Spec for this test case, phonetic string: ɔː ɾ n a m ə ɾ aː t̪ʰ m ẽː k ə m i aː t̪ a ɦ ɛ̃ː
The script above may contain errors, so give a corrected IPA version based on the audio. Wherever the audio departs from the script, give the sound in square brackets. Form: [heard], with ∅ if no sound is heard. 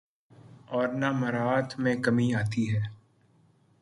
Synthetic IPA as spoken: ɔː ɾ n a m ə ɾ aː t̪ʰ m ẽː k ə m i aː t̪ [i] ɦ [ɛː]